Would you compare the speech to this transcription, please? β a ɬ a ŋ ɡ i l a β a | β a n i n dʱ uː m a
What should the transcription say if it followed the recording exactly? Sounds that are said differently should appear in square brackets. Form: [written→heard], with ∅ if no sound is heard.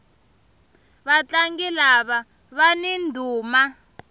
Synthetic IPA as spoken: β a [ɬ→t͡ɬ] a ŋ ɡ i l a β a | β a n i n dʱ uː m a